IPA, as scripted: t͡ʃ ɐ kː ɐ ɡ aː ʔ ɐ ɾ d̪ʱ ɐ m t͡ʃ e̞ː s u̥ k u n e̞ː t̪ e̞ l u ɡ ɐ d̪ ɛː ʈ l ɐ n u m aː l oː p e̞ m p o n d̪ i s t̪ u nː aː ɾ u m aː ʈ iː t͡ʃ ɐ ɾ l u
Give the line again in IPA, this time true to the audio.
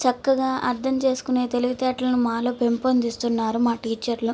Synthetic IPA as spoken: t͡ʃ ɐ kː ɐ ɡ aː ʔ ɐ ɾ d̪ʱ ɐ m t͡ʃ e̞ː s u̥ k u n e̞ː t̪ e̞ l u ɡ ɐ t̪ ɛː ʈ l ɐ n u m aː l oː p e̞ m p o n d̪ i s t̪ u nː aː ɾ u m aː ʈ iː t͡ʃ ɐ ɾ l u